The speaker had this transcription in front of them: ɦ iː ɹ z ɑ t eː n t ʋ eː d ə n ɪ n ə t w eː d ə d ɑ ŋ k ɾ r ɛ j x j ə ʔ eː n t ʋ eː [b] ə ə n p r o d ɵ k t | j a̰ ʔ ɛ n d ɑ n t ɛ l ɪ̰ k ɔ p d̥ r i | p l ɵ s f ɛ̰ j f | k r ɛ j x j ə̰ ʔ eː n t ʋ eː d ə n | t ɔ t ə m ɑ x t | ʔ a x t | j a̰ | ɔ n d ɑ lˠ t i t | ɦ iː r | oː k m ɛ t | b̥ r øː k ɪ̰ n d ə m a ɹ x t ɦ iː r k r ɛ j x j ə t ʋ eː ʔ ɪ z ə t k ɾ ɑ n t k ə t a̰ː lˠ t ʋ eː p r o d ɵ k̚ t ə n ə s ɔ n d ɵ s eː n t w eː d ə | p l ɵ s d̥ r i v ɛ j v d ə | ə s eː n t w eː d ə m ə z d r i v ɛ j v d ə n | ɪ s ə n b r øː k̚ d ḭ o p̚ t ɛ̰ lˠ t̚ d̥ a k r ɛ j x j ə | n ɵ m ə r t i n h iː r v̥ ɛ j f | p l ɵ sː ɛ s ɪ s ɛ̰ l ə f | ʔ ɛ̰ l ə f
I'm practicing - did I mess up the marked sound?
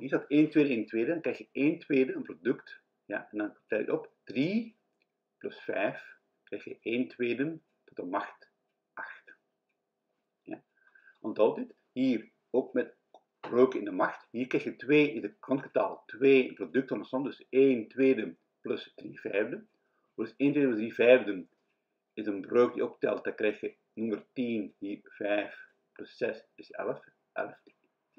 yes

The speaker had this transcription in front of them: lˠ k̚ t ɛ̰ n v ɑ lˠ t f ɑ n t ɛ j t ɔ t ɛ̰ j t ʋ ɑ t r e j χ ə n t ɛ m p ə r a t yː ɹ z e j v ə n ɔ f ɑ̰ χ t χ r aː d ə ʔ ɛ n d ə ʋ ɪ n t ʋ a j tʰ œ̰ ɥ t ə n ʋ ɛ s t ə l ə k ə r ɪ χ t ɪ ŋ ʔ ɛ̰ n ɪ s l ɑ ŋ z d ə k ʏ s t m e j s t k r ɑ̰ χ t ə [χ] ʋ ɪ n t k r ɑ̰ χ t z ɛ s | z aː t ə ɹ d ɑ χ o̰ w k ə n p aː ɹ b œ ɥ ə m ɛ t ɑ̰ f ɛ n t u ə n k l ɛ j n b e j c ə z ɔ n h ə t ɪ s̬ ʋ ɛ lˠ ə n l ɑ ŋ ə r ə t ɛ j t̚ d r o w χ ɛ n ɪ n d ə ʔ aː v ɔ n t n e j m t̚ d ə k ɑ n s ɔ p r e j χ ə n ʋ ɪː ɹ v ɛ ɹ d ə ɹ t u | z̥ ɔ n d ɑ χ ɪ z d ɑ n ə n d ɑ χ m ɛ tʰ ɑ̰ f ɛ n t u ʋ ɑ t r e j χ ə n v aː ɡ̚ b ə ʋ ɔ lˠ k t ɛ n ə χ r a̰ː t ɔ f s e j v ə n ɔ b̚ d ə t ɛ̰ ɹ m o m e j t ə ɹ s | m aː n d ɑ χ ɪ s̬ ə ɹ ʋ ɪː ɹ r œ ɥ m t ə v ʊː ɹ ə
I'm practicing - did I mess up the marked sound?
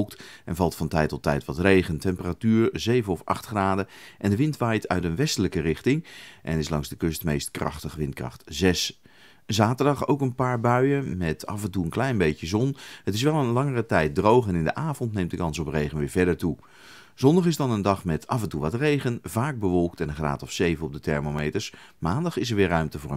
no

